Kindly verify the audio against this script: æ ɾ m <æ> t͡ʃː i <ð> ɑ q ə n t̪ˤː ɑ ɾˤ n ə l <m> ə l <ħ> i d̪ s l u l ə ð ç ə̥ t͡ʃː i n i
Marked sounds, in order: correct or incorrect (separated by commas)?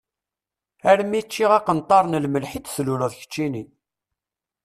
incorrect, incorrect, correct, correct